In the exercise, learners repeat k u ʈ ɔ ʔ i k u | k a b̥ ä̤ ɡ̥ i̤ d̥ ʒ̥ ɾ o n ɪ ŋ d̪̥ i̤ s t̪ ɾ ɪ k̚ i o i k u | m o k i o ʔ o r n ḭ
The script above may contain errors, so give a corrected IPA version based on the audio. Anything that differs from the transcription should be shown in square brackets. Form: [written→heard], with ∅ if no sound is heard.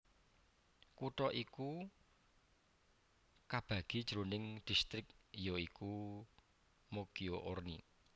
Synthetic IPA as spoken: k u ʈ ɔ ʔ i k u | k a b̥ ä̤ ɡ̥ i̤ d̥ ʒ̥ ɾ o n ɪ ŋ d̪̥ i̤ s t̪ ɾ ɪ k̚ [i→j] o i k u | m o k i o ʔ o r n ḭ